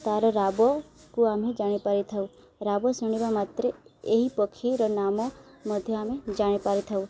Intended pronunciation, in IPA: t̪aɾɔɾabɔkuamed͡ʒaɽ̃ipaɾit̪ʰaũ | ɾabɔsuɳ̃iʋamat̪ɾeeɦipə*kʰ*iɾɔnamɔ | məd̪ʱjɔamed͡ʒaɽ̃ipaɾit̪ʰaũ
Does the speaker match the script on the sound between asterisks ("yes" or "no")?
yes